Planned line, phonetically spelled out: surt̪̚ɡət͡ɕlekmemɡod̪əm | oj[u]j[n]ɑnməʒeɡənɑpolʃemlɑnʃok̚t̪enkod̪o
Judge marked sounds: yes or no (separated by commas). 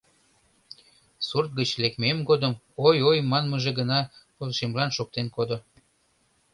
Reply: no, no